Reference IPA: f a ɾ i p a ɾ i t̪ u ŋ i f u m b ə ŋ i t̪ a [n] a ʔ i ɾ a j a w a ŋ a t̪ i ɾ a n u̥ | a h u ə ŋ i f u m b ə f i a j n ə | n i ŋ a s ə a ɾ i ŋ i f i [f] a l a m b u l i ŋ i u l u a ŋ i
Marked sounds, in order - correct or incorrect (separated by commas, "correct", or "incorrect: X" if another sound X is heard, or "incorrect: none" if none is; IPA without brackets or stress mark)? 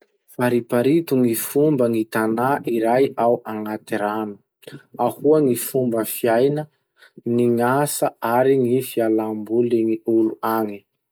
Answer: correct, incorrect: none